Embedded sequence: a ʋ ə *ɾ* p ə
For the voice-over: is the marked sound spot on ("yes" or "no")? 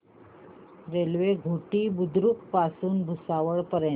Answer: no